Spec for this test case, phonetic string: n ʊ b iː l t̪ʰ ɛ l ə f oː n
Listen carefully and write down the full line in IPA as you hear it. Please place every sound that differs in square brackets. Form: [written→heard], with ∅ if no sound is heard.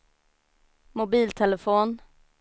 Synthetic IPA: [n→m] ʊ b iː l t̪ʰ ɛ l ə f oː n